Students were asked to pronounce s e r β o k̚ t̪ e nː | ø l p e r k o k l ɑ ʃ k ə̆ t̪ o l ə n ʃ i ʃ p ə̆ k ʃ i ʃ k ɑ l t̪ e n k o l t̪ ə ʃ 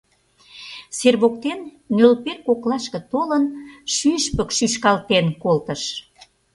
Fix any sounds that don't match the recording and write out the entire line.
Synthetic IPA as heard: s e r β o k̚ t̪ e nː | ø l p e r k o k l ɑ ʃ k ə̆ t̪ o l ə n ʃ y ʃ p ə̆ k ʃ y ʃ k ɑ l t̪ e n k o l t̪ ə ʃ